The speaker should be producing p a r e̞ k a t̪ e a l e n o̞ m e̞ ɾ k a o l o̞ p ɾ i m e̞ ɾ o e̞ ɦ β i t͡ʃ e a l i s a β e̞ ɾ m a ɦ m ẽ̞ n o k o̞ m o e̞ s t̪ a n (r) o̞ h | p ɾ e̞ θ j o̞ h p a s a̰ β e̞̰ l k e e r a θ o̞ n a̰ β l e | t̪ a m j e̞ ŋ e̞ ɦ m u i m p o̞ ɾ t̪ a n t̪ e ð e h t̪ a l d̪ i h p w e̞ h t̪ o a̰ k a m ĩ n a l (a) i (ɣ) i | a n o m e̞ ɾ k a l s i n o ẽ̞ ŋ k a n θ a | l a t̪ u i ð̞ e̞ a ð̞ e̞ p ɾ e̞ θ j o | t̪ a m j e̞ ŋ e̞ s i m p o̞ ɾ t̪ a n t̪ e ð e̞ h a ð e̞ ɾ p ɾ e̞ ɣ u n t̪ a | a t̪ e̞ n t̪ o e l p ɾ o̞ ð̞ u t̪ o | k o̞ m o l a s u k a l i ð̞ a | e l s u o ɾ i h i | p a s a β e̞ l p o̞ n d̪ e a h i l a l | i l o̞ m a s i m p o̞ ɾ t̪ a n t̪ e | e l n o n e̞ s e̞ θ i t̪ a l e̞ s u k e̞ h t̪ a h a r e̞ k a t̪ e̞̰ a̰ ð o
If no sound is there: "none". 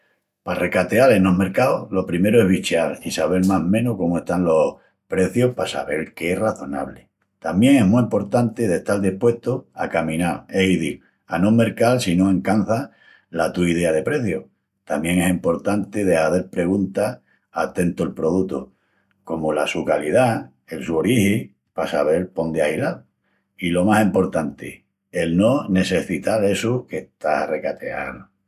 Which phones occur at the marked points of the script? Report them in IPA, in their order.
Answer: l, e, ð

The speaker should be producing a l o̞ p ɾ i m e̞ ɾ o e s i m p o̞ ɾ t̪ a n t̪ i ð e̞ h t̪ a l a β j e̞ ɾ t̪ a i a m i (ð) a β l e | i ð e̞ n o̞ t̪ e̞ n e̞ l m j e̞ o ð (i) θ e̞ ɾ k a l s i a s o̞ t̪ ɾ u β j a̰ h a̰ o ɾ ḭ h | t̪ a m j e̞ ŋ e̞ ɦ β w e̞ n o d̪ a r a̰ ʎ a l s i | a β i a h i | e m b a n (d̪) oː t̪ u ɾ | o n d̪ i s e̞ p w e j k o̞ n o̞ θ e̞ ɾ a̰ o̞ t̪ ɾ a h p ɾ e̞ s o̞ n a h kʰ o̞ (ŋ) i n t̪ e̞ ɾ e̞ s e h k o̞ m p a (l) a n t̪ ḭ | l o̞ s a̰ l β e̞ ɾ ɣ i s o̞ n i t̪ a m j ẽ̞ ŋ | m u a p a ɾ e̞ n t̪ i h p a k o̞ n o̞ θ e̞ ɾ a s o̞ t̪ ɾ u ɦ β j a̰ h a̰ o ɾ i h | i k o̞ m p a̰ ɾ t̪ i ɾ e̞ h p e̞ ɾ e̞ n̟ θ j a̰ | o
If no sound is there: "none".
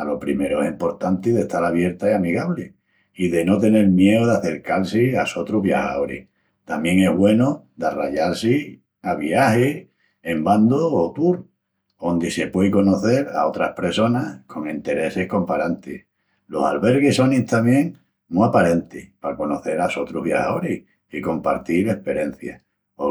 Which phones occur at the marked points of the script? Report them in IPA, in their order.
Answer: ɣ, a, d̪, ŋ, ɾ

